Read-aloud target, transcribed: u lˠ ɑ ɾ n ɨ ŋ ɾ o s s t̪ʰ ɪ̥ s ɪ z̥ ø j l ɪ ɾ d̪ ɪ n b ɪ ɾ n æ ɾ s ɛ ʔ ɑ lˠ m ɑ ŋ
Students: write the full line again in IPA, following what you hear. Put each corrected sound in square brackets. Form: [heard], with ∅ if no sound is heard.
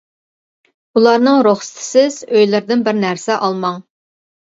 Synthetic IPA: u lˠ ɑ ɾ n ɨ ŋ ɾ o [χ] s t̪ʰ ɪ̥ s ɪ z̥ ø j l ɪ ɾ d̪ ɪ n b ɪ ɾ n æ ɾ s ɛ ʔ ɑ lˠ m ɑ ŋ